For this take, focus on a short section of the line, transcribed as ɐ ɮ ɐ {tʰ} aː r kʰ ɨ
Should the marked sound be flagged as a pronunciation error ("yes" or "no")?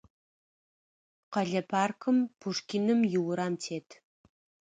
yes